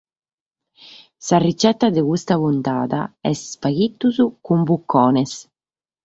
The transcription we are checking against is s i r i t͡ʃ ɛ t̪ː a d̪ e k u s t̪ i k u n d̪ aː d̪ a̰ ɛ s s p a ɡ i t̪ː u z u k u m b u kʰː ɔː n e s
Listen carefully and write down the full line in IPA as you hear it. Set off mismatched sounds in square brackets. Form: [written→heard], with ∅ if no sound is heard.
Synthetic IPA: s [i→a] r i t͡ʃ ɛ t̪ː a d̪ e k u s t̪ [i→a] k u n [d̪→t̪] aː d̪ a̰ ɛ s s p a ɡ i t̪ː u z u k u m b u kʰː ɔː n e s